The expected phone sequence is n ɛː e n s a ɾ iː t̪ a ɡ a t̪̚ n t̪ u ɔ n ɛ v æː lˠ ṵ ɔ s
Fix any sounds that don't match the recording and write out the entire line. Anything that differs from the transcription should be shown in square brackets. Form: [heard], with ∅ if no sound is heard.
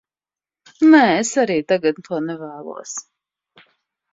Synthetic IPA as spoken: n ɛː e [∅] s a ɾ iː t̪ a ɡ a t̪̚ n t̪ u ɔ n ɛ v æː lˠ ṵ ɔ s